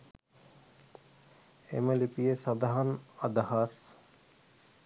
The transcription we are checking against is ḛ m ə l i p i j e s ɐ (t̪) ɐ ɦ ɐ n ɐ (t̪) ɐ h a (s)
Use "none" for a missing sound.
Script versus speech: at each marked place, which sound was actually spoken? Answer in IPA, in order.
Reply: d̪, d̪, s

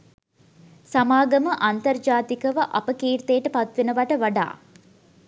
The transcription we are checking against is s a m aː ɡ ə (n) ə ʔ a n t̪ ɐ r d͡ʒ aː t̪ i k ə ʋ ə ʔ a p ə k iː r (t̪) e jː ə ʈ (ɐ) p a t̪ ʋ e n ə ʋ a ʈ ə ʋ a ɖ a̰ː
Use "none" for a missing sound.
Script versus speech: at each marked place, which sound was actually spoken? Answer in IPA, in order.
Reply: m, t̪, ə

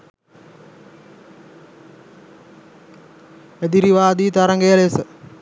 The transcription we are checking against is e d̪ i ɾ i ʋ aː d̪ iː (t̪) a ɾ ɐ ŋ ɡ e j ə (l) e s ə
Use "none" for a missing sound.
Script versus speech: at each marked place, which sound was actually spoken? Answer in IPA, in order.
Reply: t̪, l

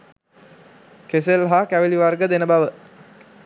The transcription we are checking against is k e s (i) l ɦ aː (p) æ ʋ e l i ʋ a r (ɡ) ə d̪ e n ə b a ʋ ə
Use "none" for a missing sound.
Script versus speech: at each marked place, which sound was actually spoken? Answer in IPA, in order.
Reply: e, k, ɡ

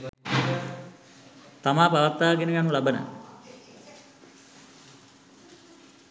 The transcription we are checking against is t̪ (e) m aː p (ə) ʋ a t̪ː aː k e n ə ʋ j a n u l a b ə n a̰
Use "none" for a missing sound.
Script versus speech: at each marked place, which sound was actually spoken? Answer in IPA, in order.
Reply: a, a

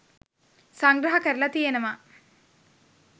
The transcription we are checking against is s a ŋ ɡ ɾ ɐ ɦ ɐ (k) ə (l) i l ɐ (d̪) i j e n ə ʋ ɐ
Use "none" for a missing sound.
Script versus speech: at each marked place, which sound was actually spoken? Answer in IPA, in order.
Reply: k, ɾ, t̪

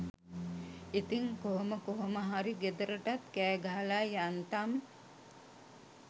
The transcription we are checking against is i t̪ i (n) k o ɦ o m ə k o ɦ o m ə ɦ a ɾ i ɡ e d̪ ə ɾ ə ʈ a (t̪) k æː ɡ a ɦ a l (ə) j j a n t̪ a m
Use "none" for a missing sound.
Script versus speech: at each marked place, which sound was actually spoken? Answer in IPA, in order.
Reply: ŋ, t̪, a

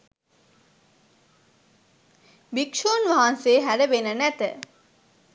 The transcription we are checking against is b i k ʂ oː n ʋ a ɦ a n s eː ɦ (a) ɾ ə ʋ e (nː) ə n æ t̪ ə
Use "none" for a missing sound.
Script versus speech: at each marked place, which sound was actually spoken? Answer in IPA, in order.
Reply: æ, n

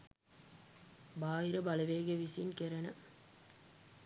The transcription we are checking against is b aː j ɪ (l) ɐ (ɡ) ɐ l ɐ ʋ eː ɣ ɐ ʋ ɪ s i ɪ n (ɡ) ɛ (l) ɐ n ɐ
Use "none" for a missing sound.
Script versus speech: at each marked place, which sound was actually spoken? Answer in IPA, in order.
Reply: ɾ, b, k, ɾ

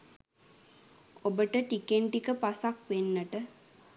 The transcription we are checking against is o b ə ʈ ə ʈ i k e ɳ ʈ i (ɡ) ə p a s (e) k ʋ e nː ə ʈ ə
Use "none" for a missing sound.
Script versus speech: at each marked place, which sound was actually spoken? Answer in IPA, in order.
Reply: k, a

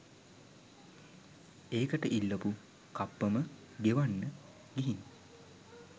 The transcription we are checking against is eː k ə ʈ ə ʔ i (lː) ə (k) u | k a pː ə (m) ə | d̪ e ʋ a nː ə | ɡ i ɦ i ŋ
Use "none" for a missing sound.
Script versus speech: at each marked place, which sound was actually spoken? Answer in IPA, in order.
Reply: lː, p, m

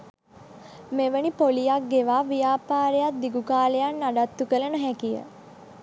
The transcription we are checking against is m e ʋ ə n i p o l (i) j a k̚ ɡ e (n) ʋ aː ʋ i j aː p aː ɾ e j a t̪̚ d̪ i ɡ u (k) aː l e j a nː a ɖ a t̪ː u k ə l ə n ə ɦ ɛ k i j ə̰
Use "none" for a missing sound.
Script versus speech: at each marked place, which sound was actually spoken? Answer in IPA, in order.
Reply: i, none, k

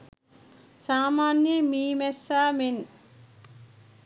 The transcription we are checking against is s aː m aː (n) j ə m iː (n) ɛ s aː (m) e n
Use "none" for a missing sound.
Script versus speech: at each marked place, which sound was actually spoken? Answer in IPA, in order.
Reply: n, m, m

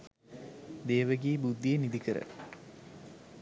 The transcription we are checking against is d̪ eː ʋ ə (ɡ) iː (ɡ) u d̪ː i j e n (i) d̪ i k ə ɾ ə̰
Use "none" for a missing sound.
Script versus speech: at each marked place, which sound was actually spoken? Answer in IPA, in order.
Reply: ɡ, b, i

